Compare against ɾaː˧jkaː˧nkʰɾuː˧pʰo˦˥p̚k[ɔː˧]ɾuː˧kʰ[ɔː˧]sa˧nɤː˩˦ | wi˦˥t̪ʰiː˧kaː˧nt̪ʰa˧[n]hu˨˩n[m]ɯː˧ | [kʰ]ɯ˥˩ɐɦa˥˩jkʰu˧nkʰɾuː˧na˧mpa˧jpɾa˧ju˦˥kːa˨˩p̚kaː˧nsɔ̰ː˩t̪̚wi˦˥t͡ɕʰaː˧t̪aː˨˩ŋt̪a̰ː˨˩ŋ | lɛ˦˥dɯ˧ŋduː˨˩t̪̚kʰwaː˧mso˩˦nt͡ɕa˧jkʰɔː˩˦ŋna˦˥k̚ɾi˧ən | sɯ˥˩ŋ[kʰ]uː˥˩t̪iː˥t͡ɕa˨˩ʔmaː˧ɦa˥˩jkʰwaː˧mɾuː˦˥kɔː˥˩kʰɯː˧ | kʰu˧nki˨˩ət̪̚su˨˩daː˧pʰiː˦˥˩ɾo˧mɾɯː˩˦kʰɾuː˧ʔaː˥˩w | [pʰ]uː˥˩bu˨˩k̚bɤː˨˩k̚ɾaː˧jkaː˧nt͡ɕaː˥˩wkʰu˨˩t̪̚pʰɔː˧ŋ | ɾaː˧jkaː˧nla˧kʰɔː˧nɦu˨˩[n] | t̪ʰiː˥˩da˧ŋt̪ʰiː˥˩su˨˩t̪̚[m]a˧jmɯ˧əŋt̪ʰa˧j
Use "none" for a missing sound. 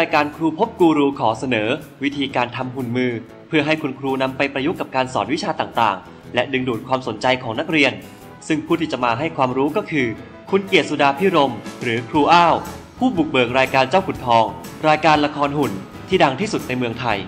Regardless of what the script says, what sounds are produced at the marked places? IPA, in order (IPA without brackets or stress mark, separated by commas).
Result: uː˧, ɔː˩˦, m, m, pʰ, pʰ, pʰ, n, n